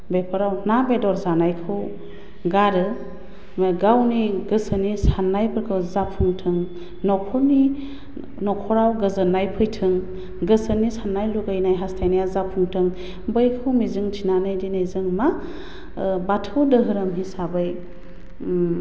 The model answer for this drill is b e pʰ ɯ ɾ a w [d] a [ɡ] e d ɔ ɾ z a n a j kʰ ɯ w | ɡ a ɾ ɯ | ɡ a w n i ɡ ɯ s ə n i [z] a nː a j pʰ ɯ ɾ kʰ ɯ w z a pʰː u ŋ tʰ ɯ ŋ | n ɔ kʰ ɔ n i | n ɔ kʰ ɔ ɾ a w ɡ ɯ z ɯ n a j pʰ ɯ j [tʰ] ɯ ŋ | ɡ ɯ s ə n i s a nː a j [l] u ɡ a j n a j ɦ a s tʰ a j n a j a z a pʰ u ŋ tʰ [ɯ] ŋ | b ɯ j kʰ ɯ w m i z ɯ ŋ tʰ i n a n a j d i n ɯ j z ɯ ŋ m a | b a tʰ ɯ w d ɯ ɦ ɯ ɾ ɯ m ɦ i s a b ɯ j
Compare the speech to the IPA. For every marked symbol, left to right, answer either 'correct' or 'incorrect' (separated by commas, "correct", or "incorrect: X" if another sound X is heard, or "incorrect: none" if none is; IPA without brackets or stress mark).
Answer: incorrect: n, incorrect: b, incorrect: s, correct, correct, correct